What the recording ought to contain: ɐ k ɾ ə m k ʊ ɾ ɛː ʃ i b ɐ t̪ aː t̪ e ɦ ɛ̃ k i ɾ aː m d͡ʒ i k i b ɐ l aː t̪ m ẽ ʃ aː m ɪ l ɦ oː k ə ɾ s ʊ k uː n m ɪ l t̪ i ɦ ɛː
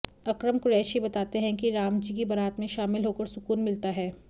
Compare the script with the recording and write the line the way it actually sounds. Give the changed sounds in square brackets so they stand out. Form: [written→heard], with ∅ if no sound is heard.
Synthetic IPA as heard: ɐ k ɾ ə m k ʊ ɾ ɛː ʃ i b ɐ t̪ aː t̪ e ɦ ɛ̃ k i ɾ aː m d͡ʒ i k i b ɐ [l→ɾ] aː t̪ m ẽ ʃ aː m ɪ l ɦ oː k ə ɾ s ʊ k uː n m ɪ l t̪ [i→a] ɦ ɛː